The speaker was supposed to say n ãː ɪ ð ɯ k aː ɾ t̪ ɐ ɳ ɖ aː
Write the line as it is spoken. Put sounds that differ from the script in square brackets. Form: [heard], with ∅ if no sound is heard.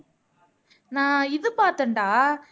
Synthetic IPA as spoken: n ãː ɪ ð ɯ [p] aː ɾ t̪ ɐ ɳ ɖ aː